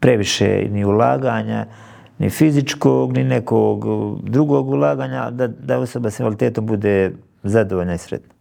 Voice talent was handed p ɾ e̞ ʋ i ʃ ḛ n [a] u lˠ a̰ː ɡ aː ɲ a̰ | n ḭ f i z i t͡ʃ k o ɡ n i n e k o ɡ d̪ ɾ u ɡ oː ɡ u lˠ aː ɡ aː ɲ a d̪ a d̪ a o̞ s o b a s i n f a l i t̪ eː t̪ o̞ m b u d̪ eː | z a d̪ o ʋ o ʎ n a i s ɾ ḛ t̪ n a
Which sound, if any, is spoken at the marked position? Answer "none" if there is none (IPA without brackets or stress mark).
i